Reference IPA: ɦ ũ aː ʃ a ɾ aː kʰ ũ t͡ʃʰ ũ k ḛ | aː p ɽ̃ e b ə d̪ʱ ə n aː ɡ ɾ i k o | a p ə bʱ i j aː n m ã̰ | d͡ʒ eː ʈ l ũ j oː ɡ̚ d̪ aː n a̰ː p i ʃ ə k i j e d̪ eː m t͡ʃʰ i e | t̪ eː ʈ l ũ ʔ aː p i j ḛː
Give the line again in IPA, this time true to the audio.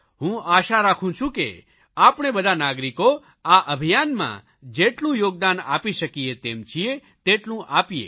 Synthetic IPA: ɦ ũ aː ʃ a ɾ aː kʰ ũ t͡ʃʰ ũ k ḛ | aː p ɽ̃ e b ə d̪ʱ a n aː ɡ ɾ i k o | a ʔ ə bʱ i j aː n m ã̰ | d͡ʒ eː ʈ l ũ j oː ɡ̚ d̪ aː n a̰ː p i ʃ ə k i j e t̪ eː m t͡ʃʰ i e | t̪ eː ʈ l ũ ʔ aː p i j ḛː